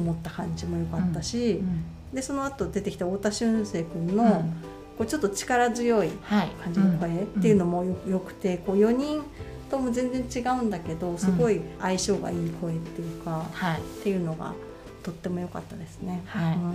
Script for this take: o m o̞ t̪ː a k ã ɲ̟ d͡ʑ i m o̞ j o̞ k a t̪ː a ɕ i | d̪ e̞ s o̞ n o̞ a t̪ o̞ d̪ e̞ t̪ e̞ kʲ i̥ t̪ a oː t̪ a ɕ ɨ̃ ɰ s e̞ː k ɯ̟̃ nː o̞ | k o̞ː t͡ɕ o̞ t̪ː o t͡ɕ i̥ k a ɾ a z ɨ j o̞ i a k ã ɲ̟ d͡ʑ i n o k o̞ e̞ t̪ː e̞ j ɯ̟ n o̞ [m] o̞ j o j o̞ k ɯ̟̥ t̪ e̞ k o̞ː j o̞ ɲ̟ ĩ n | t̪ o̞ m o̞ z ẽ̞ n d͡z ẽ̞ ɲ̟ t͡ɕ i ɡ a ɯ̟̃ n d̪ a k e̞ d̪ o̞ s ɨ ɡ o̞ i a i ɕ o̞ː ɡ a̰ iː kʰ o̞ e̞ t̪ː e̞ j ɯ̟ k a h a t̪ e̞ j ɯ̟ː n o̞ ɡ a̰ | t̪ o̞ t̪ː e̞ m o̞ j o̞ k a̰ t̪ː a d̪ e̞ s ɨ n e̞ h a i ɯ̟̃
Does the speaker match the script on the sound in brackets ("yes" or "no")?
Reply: yes